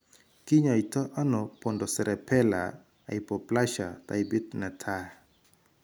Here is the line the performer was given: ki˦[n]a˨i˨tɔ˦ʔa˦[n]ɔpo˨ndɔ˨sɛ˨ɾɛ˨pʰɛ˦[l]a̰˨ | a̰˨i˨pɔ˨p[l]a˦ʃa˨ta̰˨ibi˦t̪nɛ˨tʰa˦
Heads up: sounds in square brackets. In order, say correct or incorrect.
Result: incorrect: ɲ, correct, correct, correct

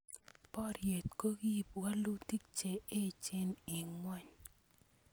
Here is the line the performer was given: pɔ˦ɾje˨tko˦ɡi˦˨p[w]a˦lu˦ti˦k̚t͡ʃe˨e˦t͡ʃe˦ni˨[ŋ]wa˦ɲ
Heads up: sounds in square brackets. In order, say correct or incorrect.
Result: correct, correct

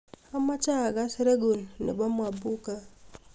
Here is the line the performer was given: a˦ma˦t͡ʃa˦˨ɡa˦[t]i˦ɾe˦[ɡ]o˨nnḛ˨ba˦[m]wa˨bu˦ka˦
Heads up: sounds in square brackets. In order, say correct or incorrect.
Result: incorrect: s, correct, correct

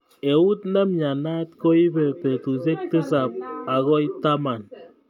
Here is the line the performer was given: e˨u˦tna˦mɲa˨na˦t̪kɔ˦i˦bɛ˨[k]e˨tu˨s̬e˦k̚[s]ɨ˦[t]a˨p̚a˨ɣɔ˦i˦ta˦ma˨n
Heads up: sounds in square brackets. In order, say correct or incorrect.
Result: incorrect: p, incorrect: t, incorrect: s

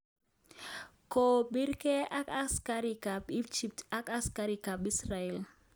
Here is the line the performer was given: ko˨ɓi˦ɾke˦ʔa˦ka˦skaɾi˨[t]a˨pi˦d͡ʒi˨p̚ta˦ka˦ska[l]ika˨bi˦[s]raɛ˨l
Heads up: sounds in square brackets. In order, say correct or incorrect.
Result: incorrect: k, incorrect: ɾ, correct

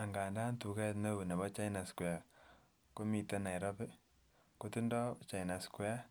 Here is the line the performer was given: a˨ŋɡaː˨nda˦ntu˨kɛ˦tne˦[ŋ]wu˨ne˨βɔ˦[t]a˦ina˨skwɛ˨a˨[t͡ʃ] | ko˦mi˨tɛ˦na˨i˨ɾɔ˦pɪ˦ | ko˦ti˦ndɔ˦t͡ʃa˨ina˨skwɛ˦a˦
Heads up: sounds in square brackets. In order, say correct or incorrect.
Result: incorrect: none, incorrect: t͡ʃ, incorrect: none

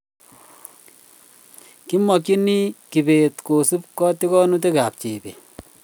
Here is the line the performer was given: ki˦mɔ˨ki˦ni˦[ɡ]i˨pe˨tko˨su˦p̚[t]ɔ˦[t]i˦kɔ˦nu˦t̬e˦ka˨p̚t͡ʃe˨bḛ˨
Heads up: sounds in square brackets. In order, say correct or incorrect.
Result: incorrect: k, incorrect: k, correct

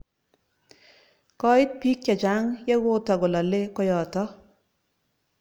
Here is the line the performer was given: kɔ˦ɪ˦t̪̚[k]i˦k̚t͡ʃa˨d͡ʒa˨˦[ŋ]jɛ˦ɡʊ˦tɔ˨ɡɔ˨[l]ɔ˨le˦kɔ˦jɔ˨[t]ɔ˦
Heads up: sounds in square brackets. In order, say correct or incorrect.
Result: incorrect: p, correct, correct, correct

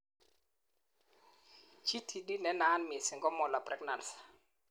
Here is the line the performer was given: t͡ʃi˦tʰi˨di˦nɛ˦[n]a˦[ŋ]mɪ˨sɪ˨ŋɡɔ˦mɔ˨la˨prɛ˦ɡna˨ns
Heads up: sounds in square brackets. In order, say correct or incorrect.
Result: correct, incorrect: n

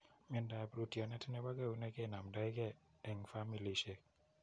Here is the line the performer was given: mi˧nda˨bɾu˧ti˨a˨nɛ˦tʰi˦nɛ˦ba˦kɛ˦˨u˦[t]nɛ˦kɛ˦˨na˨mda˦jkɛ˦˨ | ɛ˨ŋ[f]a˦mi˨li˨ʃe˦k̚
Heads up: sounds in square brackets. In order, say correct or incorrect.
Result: incorrect: none, correct

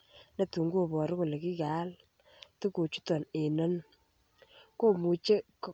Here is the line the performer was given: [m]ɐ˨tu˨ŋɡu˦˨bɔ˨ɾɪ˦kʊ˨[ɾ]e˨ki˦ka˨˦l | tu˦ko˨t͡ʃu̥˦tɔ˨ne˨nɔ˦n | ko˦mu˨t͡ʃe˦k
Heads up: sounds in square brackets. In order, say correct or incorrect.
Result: incorrect: n, incorrect: l

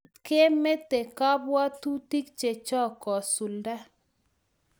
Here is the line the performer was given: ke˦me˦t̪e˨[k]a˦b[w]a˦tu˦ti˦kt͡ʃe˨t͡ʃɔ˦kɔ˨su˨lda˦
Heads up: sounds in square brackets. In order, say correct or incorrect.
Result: correct, correct

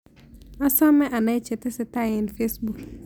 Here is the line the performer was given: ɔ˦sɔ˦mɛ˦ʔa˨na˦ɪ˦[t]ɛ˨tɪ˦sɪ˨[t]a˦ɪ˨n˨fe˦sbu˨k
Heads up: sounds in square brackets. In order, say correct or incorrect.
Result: incorrect: t͡ʃ, correct

